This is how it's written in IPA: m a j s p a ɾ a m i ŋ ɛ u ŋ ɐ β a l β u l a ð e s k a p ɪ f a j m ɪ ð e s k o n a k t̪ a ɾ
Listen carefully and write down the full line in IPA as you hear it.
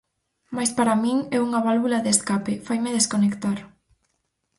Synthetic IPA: m a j s p a ɾ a m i ŋ ɛ u ŋ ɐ β a l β u l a ð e s k a p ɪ f a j m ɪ ð e s k o n e k t̪ a ɾ